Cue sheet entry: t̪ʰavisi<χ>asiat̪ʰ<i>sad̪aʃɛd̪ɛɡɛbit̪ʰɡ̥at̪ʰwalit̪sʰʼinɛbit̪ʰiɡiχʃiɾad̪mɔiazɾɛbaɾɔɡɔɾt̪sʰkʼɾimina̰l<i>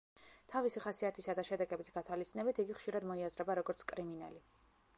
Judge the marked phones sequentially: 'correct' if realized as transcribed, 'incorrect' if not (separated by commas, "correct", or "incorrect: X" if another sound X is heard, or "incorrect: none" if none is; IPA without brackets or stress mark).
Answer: correct, correct, correct